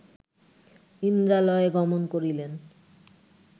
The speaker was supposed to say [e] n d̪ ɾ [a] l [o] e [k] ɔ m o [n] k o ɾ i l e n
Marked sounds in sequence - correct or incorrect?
incorrect: i, correct, incorrect: ɔ, incorrect: ɡ, correct

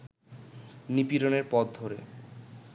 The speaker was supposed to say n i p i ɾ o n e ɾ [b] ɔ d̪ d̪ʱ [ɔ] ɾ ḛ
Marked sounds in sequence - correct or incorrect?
incorrect: p, incorrect: o

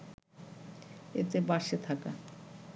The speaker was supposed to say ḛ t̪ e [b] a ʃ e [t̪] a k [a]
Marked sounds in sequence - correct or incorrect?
correct, incorrect: t̪ʰ, correct

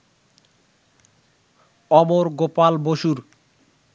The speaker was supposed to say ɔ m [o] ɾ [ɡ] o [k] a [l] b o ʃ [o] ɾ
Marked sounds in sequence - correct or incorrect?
correct, correct, incorrect: p, correct, incorrect: u

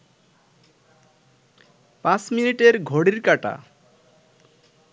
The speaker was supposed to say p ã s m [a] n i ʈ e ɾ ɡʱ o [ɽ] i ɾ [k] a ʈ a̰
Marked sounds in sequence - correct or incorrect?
incorrect: i, correct, correct

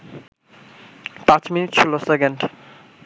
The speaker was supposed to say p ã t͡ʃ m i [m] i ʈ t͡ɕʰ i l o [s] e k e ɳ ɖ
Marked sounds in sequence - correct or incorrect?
incorrect: n, correct

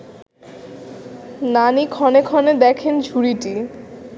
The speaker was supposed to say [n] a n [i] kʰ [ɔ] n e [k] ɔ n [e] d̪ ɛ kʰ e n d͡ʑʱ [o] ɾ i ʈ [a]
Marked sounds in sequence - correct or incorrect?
correct, correct, correct, incorrect: kʰ, correct, incorrect: u, incorrect: i

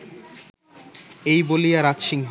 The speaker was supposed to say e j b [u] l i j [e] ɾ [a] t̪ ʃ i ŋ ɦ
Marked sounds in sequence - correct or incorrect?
incorrect: o, incorrect: a, correct

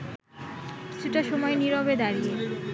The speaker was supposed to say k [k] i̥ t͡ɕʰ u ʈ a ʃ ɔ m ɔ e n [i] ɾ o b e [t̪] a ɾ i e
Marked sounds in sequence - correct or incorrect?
correct, correct, incorrect: d̪

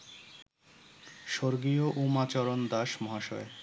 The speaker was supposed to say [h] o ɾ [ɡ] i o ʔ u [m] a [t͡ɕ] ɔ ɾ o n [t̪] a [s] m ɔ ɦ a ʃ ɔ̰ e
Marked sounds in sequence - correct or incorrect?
incorrect: ʃ, correct, correct, correct, incorrect: d̪, incorrect: ʃ

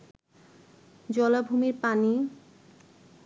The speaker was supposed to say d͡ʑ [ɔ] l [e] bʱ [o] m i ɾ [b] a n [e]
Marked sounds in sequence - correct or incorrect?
correct, incorrect: a, incorrect: u, incorrect: p, incorrect: i

